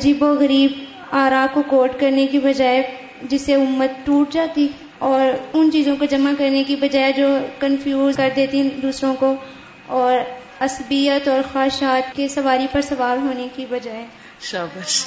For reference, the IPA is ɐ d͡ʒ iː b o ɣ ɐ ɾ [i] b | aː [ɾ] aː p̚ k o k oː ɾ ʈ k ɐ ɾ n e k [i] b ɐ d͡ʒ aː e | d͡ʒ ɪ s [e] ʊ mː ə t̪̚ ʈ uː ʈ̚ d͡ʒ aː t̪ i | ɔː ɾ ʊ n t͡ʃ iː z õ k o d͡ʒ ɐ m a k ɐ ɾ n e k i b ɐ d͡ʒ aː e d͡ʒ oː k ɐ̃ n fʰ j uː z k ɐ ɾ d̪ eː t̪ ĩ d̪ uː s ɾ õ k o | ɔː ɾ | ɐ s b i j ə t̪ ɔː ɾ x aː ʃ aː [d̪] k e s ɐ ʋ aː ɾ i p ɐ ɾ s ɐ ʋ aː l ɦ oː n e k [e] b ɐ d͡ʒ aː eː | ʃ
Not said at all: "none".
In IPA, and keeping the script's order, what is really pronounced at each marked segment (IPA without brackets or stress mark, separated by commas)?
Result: iː, ɾ, i, e, t̪, i